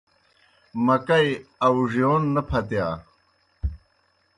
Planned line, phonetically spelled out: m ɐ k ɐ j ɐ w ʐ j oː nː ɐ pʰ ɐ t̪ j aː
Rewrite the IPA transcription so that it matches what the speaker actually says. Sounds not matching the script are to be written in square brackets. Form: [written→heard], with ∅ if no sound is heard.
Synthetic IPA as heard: m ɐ k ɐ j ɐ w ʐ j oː nː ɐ pʰ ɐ t̪ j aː